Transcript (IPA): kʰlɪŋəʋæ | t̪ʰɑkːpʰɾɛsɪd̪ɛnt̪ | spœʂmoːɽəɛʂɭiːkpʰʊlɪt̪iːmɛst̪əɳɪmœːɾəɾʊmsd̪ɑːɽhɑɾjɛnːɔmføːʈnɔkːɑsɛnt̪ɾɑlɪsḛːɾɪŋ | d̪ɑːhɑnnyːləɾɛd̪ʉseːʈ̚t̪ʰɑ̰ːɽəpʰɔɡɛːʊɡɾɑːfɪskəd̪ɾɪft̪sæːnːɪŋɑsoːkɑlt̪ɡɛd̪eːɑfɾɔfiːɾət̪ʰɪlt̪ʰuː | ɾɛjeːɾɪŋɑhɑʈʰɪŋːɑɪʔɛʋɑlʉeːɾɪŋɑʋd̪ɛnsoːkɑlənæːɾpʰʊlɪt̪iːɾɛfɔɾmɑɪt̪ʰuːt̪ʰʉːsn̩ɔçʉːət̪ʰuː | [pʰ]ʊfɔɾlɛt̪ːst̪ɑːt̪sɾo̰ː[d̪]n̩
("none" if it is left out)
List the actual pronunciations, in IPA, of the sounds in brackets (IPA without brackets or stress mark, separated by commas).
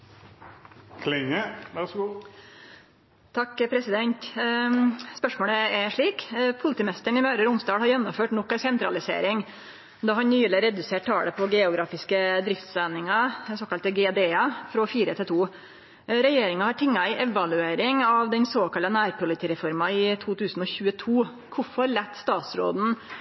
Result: kʰ, d̪